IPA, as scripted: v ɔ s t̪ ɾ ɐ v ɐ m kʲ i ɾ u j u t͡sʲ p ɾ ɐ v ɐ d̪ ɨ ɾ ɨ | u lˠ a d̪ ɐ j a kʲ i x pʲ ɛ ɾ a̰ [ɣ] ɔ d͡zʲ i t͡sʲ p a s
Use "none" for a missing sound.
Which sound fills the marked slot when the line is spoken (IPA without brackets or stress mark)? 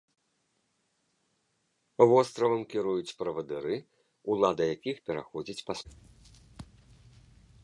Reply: x